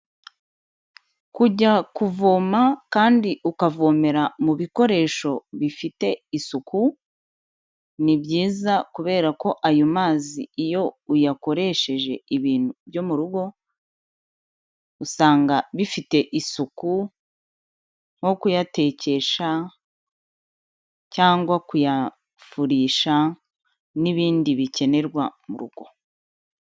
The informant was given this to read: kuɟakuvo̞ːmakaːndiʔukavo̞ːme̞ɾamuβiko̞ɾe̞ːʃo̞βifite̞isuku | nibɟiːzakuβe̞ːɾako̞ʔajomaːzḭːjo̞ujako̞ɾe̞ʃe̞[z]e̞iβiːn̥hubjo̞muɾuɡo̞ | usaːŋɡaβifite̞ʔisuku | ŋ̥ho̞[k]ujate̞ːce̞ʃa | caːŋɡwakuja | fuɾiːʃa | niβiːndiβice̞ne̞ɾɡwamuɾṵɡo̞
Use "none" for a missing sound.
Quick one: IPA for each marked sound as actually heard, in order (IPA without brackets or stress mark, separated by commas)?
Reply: ʒ, k